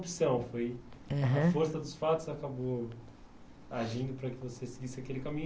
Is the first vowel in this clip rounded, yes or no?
no